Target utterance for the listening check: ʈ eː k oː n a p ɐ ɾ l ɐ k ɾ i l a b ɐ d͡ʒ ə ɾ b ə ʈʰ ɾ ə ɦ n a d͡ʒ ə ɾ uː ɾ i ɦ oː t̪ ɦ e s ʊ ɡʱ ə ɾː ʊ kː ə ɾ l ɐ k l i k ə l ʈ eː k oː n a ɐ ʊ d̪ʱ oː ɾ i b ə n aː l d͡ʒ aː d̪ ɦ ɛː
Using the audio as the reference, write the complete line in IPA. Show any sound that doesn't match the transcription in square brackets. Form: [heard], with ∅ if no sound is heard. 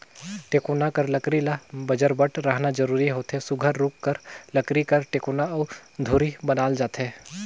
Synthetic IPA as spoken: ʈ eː k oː n a [k] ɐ ɾ l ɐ k ɾ i l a b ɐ d͡ʒ ə ɾ b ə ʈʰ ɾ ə ɦ n a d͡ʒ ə ɾ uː ɾ i ɦ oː t̪ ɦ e s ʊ ɡʱ ə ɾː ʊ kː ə ɾ l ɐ k [ɾ] i k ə [ɾ] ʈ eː k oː n a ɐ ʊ d̪ʱ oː ɾ i b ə n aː l d͡ʒ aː [t̪] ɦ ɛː